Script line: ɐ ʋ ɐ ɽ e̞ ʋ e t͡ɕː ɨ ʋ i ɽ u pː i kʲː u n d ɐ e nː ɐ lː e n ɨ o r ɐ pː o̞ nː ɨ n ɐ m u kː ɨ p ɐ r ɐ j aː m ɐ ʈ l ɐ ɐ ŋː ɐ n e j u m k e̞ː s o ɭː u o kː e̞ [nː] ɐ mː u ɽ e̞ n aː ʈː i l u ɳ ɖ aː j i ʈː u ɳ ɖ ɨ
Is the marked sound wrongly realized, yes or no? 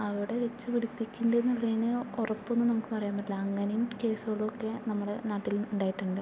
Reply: yes